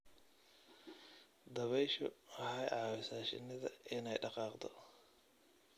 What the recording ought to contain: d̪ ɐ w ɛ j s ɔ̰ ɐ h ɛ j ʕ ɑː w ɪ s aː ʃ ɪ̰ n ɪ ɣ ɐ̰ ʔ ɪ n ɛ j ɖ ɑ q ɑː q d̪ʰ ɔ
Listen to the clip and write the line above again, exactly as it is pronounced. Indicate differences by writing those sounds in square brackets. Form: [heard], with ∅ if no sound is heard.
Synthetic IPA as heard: d̪ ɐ [β] ɛ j [ʃ] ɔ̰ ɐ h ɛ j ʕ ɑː w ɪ s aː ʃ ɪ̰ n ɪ [ð] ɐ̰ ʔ ɪ n ɛ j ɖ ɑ q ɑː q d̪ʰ ɔ

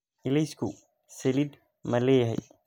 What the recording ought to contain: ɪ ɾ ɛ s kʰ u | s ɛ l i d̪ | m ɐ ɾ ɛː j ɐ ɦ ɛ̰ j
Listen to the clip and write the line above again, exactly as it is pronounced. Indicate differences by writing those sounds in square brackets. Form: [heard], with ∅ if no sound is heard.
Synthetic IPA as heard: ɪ [l] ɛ s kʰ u | s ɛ l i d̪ | m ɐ [l] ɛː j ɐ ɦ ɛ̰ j

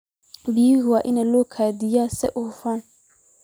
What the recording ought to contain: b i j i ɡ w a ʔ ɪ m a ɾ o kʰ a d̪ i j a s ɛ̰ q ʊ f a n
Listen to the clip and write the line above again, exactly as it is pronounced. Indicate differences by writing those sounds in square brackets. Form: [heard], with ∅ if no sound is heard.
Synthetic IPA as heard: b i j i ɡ w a ʔ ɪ [n] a [l] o kʰ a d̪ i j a s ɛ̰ [ʔ] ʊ f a n

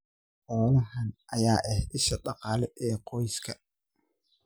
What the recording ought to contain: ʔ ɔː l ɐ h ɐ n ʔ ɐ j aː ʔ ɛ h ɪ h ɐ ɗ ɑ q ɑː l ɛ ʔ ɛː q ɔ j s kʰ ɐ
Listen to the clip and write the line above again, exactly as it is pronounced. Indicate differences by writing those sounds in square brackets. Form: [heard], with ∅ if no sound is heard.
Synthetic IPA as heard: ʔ ɔː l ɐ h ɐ n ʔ ɐ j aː ʔ ɛ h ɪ [ʃ] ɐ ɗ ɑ q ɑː l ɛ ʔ ɛː q ɔ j s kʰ ɐ

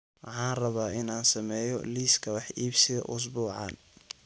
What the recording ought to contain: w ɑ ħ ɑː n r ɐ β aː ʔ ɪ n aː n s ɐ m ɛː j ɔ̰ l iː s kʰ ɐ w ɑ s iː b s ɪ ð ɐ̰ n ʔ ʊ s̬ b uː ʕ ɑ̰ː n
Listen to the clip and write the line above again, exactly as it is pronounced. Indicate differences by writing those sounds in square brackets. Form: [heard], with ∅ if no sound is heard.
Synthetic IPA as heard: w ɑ ħ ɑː n r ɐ β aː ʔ ɪ n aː n s ɐ m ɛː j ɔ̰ l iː s kʰ ɐ w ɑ [ħ] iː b s ɪ ð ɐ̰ [∅] ʔ ʊ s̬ b uː ʕ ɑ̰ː n

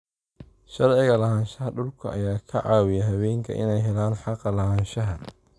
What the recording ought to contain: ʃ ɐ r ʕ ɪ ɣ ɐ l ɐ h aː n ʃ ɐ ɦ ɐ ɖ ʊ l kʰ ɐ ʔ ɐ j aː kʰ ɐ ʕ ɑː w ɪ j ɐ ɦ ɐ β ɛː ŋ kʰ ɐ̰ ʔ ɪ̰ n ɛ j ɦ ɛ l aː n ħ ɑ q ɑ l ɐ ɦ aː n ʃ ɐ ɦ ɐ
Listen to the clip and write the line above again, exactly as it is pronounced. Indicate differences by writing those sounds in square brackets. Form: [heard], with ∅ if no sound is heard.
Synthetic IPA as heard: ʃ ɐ r ʕ ɪ ɣ ɐ l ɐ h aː n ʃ ɐ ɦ ɐ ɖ ʊ l kʰ ɐ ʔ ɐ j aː kʰ ɐ ʕ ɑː w ɪ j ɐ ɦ ɐ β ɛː ŋ kʰ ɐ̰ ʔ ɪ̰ n ɛ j ɦ ɛ l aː n ħ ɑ q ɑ l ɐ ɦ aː n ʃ ɐ ɦ ɐ

